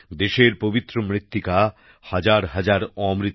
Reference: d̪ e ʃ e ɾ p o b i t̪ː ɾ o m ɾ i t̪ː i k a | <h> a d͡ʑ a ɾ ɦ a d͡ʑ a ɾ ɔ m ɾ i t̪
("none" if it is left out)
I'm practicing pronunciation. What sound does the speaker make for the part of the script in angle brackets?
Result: h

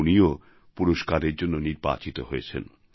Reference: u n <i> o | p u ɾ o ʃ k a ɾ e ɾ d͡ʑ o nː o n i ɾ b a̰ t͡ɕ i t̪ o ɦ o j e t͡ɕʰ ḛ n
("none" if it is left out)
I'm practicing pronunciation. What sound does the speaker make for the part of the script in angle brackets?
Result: i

